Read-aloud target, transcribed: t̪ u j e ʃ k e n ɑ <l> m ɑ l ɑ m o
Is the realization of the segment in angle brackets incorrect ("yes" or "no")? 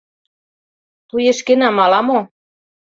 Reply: yes